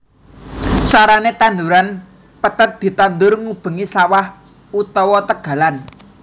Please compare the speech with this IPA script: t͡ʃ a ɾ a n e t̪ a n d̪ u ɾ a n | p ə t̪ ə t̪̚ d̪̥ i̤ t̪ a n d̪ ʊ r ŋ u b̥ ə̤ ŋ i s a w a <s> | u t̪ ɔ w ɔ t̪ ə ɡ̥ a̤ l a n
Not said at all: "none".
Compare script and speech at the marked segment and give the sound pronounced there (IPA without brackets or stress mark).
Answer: h